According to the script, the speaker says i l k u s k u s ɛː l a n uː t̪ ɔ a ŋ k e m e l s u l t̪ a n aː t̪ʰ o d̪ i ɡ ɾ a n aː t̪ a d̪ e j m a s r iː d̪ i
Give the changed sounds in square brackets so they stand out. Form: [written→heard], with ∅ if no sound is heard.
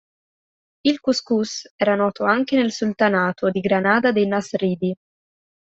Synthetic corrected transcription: i l k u s k u s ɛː [l→ɾ] a n [uː→ɔː] t̪ [ɔ→o] a ŋ k e [m→n] e l s u l t̪ a n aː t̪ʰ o d̪ i ɡ ɾ a n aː [t̪→d̪] a d̪ e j [m→n] a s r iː d̪ i